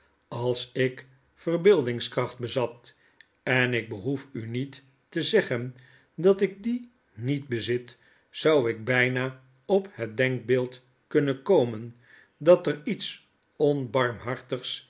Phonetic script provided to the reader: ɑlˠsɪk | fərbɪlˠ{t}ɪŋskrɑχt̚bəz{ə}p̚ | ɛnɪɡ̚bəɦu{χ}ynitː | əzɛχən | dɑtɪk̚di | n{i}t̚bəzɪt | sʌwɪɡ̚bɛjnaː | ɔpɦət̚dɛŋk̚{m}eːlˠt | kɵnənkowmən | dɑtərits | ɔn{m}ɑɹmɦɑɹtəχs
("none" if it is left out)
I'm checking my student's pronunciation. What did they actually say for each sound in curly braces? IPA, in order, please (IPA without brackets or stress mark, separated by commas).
d, ɑ, f, i, b, b